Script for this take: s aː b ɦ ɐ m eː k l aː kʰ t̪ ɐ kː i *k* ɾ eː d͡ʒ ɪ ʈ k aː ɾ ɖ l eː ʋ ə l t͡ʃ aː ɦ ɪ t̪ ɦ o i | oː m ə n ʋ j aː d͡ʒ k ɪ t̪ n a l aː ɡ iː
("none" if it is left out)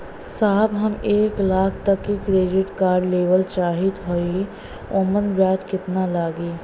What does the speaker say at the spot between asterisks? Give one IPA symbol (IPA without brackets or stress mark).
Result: k